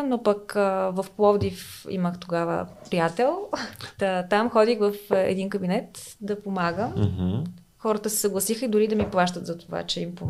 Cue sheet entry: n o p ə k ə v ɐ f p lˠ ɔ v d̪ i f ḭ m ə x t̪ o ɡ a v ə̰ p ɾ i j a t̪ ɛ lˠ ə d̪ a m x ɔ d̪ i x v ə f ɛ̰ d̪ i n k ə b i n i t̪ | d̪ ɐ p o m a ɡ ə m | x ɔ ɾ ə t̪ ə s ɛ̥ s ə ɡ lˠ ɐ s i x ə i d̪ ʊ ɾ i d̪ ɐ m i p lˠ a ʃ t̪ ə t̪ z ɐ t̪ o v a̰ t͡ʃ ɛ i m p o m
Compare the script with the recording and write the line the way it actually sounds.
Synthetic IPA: n o p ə k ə v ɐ f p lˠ ɔ v d̪ i f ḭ m ə x t̪ o ɡ a v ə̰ p ɾ i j a t̪ ɛ lˠ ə t̪ a m x ɔ d̪ i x v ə f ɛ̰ d̪ i n k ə b i n ɛ t̪ | d̪ ɐ p o m a ɡ ə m | x ɔ ɾ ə t̪ ə s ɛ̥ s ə ɡ lˠ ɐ s i x ə i d̪ ʊ ɾ i d̪ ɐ m i p lˠ a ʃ t̪ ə t̪ z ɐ t̪ o v a̰ t͡ʃ ɛ i m p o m